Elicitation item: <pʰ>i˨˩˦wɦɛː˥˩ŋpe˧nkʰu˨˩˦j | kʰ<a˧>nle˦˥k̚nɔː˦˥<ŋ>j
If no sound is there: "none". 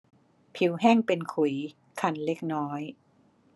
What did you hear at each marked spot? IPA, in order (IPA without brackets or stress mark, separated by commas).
pʰ, a˧, none